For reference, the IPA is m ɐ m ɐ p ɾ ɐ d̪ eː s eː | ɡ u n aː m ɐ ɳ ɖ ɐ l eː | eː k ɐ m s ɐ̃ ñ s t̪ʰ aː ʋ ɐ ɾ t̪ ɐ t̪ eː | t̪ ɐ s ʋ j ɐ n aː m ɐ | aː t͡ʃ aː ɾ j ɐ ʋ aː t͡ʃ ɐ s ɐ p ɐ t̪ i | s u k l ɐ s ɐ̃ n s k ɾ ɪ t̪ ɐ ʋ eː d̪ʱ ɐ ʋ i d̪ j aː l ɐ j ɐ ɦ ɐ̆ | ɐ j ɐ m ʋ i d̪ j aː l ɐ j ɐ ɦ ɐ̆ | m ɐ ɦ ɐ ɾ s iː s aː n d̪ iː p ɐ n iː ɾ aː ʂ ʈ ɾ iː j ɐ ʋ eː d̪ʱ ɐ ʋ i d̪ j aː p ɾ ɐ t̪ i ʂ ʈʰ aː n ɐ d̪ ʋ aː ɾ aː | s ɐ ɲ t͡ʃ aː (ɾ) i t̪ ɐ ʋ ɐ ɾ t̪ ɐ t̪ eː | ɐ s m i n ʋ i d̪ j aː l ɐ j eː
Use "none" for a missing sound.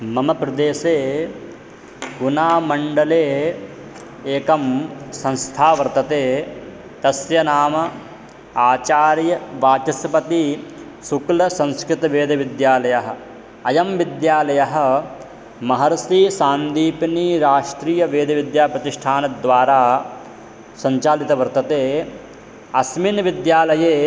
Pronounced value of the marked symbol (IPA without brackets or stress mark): l